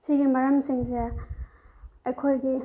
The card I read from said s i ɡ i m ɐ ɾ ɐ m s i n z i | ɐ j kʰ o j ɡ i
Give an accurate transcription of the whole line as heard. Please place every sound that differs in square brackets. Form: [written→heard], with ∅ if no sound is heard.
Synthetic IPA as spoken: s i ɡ i m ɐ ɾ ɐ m s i [n→ŋ] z [i→e] | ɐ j kʰ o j ɡ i